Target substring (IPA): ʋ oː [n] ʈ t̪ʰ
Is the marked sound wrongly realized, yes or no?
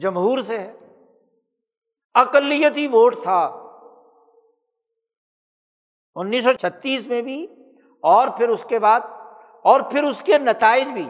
yes